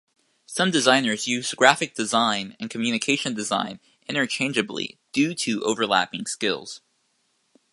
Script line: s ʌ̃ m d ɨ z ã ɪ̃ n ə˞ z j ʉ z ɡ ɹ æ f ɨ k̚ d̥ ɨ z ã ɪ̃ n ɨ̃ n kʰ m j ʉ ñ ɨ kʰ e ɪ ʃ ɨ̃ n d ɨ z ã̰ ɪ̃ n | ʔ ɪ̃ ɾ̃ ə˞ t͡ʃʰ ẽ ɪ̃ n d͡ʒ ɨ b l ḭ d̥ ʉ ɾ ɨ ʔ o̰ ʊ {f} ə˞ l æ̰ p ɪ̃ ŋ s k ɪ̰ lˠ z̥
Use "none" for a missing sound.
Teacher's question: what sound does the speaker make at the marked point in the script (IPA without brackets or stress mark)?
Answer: v